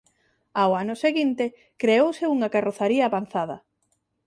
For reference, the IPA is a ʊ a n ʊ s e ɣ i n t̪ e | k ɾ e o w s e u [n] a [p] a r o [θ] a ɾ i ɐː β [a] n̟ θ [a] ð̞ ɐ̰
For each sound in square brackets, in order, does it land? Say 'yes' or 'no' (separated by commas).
no, no, yes, yes, yes